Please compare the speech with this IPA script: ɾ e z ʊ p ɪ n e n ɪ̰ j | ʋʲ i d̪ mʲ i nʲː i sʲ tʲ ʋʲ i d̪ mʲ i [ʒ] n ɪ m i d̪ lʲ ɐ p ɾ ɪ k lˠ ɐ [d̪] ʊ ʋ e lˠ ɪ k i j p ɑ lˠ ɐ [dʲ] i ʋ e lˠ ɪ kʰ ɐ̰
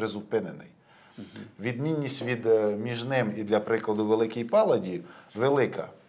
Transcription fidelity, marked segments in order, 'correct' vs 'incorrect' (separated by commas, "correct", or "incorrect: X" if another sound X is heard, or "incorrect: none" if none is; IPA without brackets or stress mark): correct, correct, correct